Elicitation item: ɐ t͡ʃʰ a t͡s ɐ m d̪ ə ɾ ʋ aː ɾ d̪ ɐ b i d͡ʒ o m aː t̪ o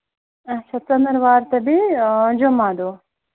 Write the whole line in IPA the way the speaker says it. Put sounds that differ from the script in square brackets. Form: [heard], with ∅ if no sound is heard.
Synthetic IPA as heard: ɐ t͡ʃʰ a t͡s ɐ [n] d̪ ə ɾ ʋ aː ɾ [t̪] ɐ b i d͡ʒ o m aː [d̪] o